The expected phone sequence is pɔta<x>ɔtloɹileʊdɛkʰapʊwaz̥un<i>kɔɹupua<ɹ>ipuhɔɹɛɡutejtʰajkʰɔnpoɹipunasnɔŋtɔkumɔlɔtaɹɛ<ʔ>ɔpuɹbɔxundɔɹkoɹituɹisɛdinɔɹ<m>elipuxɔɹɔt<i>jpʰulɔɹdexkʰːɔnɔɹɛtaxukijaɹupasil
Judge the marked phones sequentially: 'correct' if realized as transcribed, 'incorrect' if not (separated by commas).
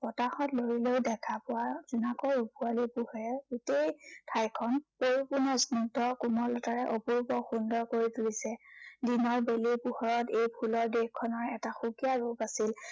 correct, incorrect, incorrect, correct, incorrect, incorrect